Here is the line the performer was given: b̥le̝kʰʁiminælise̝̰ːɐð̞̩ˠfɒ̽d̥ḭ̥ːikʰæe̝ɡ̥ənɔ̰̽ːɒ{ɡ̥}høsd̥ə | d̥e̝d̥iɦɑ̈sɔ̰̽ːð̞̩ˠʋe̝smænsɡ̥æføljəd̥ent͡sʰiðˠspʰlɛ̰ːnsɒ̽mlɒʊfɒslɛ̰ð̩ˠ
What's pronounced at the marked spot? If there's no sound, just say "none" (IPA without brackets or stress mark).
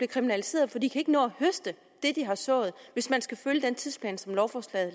none